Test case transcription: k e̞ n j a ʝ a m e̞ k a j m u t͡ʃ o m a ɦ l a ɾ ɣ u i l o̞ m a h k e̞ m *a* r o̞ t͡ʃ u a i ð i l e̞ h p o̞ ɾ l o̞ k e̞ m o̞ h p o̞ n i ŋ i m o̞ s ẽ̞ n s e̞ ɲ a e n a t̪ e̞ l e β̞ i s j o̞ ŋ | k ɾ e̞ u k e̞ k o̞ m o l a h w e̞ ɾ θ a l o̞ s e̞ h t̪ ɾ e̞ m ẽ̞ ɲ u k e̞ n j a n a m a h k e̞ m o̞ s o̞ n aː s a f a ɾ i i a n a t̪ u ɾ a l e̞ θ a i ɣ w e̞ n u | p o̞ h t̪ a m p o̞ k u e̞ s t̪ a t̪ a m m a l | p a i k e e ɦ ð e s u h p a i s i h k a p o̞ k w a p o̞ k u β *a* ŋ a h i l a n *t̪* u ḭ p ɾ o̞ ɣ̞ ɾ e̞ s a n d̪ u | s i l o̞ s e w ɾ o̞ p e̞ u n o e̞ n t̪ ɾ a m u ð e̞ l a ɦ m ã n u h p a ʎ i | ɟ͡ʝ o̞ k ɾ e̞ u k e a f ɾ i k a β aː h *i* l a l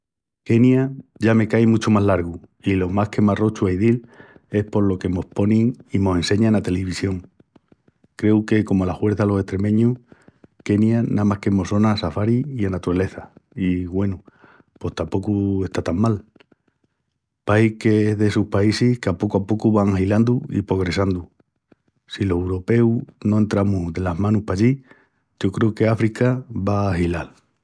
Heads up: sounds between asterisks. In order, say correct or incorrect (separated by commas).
correct, correct, incorrect, correct